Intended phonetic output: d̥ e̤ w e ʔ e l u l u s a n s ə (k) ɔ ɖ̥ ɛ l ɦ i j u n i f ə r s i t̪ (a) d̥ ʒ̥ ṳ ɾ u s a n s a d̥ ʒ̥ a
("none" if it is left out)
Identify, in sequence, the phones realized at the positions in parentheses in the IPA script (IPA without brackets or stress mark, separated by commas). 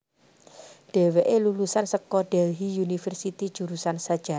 k, i